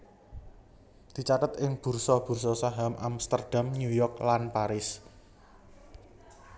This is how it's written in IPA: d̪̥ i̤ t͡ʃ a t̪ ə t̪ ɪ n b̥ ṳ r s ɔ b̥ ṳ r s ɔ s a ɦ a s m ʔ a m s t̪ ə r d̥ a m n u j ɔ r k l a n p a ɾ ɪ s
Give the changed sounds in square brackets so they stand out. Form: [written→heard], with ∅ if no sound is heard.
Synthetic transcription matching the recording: d̪̥ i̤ t͡ʃ a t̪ ə t̪ ɪ [n→ŋ] b̥ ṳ r s ɔ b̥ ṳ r s ɔ s a ɦ a [s→∅] m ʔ a m s t̪ ə r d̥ a m n u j ɔ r k l a n p a ɾ ɪ s